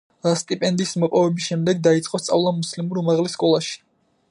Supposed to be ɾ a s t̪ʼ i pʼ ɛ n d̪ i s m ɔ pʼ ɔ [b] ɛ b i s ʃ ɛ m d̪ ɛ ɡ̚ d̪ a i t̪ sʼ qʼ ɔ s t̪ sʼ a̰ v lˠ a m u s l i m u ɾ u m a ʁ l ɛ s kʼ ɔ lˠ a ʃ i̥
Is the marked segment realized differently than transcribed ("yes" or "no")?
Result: yes